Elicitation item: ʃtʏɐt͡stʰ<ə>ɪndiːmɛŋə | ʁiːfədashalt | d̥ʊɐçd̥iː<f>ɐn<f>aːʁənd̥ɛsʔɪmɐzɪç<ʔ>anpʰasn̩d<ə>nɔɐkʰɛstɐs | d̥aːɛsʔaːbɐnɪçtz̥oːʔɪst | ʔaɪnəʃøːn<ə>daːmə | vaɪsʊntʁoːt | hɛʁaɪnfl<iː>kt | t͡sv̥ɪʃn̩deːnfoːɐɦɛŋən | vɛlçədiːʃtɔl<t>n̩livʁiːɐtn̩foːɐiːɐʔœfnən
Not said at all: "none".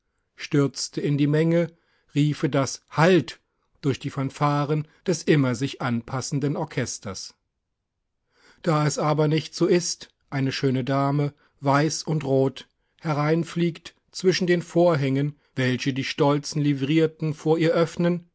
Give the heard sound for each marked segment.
ə, f, f, ʔ, ə, ə, iː, t͡s

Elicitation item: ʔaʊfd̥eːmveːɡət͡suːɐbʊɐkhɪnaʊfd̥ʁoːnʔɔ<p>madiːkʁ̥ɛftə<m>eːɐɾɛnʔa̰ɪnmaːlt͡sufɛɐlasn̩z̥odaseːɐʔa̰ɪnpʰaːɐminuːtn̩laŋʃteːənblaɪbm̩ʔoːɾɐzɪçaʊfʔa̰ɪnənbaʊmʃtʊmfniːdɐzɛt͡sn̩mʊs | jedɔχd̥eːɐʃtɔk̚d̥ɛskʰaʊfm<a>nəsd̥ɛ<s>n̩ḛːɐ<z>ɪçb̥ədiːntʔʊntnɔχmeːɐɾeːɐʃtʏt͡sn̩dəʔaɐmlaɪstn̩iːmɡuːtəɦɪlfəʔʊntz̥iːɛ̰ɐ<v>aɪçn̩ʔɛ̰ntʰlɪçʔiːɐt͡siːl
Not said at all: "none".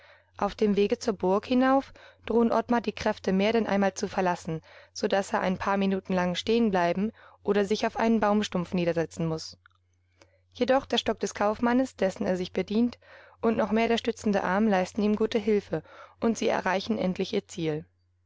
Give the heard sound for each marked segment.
t, m, a, s, z, ʁ

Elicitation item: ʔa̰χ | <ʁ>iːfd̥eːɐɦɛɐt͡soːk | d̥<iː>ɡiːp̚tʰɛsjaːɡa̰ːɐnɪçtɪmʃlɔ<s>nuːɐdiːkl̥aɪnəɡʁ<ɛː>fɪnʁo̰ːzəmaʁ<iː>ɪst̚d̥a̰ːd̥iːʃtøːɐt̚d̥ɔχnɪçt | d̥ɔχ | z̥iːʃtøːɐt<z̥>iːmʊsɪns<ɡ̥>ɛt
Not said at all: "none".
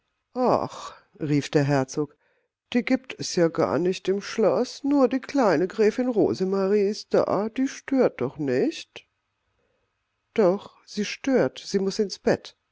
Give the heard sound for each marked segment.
ʁ, iː, s, ɛː, iː, z̥, b̥

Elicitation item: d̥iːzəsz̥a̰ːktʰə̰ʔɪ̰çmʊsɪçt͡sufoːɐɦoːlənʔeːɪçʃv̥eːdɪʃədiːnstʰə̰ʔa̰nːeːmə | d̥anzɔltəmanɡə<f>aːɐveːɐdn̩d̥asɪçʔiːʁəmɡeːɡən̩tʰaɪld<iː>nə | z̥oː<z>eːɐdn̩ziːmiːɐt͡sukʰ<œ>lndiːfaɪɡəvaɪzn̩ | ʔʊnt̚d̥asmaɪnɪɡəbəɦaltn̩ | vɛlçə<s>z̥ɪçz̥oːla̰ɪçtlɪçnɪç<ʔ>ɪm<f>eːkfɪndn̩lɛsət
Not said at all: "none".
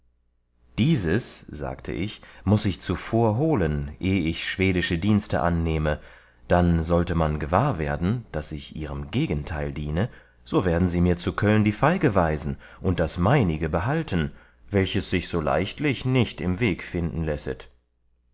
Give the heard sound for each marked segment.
v, iː, v, œ, s, t, v

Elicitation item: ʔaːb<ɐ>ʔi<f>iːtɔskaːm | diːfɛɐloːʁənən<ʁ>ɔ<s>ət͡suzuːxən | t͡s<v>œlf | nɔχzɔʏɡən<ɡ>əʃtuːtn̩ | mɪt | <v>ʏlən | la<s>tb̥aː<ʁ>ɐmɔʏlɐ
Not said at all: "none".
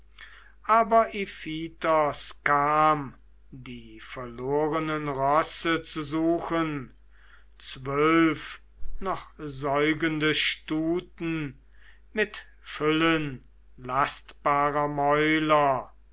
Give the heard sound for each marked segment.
ɐ, f, ʁ, s, v, d, f, s, ʁ

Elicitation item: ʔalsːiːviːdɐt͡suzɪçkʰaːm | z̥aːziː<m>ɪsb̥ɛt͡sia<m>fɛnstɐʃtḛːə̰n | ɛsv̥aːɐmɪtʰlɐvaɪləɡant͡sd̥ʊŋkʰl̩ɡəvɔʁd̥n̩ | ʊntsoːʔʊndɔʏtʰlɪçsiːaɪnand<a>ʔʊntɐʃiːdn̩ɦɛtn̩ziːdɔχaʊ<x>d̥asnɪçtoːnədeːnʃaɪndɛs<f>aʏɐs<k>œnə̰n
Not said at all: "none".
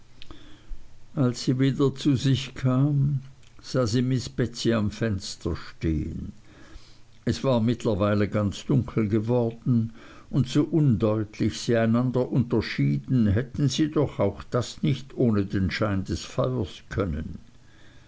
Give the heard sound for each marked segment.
m, m, ɐ, x, f, kʰ

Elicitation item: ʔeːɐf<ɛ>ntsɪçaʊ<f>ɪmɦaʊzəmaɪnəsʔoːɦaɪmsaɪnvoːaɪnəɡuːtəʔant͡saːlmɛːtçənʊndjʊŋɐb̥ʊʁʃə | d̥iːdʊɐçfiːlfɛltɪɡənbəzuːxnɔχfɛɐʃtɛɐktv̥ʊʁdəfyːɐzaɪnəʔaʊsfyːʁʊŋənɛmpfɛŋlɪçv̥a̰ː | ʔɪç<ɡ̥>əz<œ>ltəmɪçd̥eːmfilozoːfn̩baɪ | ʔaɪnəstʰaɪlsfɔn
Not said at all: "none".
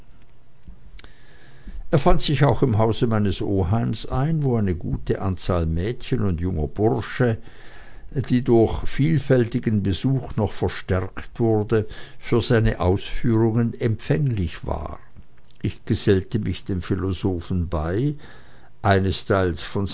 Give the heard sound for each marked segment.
a, x, ɡ̥, ɛ

